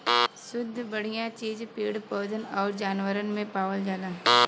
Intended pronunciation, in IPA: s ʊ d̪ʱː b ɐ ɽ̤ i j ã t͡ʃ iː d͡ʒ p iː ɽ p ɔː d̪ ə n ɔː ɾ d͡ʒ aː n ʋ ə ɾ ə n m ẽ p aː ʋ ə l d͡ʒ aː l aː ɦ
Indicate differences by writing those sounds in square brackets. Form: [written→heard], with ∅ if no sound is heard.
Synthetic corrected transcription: s ʊ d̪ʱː b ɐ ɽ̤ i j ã t͡ʃ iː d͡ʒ p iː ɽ p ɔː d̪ ə n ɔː ɾ d͡ʒ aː n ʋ ə ɾ ə n m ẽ p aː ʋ ə l d͡ʒ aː l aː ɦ